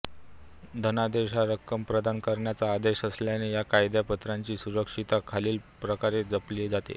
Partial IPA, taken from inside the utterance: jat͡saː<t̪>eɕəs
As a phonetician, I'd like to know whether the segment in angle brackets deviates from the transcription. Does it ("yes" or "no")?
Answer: yes